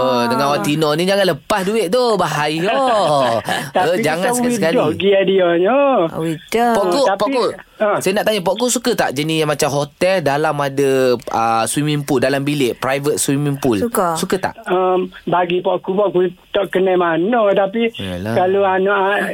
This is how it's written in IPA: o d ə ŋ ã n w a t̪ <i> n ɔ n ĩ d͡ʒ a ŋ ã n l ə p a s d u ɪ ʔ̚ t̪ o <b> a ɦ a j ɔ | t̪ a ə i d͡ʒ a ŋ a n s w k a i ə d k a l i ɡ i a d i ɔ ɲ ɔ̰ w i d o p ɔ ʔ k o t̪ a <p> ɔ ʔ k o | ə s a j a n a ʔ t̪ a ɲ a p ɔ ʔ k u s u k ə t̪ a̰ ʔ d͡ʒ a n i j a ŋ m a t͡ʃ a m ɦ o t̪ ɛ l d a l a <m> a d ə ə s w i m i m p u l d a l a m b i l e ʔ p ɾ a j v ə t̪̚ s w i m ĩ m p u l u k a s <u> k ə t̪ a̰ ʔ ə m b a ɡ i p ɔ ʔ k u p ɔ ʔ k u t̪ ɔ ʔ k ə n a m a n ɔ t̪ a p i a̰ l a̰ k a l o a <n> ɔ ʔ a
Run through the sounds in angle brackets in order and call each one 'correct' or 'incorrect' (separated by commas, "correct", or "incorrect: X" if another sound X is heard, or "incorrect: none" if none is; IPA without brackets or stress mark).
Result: correct, correct, correct, correct, correct, correct